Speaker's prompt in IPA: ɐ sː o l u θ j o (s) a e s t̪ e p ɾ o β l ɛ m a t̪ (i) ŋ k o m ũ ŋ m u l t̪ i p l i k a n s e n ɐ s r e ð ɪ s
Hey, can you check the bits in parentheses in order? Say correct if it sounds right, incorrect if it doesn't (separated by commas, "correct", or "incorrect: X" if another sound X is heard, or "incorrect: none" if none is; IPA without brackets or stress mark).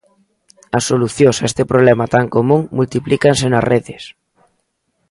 correct, incorrect: a